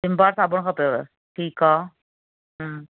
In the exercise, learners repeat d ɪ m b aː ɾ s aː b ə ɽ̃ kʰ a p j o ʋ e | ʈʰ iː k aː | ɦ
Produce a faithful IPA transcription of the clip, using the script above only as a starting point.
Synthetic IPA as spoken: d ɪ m b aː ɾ s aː b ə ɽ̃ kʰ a p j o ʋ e | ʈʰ iː k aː | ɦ